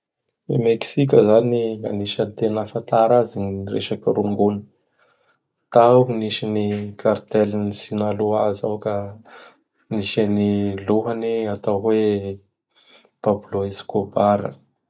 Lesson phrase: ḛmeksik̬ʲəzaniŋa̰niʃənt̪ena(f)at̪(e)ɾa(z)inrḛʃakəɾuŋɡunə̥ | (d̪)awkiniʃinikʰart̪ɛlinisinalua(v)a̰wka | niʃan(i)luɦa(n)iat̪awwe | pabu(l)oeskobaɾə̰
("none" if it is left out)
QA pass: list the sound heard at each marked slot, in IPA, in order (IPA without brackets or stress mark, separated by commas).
f, a, z, t̪, z, i, n, l